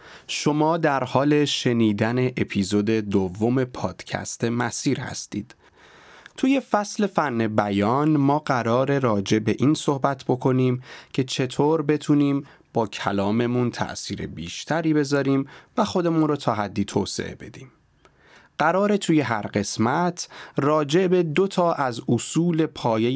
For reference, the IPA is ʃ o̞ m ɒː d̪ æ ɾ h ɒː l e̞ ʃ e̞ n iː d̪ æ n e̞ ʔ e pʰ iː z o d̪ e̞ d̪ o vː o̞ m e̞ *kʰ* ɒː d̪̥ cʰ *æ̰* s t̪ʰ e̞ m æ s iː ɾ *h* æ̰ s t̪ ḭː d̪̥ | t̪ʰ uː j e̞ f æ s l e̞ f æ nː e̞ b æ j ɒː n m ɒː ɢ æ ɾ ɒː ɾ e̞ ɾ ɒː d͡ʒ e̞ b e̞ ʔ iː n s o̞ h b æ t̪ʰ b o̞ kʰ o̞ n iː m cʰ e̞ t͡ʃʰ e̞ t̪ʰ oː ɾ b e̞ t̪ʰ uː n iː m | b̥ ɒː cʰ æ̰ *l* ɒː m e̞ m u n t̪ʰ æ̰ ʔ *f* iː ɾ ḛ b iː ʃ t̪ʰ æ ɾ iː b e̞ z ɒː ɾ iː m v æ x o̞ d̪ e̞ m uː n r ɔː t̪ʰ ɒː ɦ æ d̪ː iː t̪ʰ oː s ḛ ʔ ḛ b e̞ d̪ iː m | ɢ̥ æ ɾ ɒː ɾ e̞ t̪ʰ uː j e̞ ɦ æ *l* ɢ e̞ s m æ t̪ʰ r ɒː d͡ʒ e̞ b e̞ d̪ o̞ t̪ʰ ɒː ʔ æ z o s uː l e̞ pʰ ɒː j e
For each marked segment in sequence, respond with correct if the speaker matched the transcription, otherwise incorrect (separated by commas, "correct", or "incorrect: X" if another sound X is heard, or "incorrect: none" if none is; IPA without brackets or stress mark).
incorrect: pʰ, correct, correct, correct, incorrect: s, incorrect: ɾ